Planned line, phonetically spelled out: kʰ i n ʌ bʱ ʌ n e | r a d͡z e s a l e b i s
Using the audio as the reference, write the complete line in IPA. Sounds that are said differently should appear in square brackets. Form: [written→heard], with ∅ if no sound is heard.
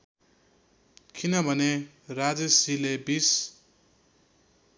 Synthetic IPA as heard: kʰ i n ʌ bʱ ʌ n e | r a d͡z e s [a→i] l e b i s